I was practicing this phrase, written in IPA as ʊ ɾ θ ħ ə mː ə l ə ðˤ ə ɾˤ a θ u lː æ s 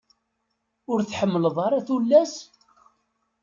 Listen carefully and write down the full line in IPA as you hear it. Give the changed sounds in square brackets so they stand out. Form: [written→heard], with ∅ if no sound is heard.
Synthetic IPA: ʊ ɾ θ ħ ə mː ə l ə ðˤ [ə→ɑ] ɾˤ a θ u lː æ s